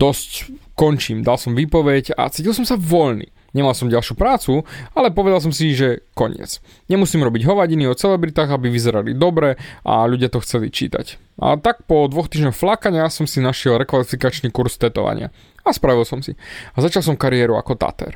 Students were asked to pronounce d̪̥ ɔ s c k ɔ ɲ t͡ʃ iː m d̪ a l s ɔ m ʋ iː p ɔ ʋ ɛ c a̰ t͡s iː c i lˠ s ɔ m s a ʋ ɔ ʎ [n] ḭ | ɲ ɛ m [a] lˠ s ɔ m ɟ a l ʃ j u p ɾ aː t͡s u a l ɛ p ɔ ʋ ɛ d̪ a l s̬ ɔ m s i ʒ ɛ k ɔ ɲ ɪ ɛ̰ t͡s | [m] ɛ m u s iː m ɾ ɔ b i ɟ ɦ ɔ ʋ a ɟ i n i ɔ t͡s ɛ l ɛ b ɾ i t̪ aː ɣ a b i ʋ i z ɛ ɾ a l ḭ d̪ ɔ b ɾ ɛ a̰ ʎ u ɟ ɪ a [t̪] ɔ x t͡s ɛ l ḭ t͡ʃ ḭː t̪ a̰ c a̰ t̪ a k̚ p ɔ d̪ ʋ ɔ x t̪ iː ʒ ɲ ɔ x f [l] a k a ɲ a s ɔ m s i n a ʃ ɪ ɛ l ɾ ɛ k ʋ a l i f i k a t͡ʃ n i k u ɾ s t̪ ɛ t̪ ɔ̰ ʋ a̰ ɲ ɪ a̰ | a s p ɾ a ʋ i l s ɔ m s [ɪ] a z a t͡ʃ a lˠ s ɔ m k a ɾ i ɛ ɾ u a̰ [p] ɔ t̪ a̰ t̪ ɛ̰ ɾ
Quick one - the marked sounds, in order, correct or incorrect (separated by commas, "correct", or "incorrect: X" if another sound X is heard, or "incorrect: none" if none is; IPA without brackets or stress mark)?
correct, correct, incorrect: ɲ, correct, correct, incorrect: i, incorrect: k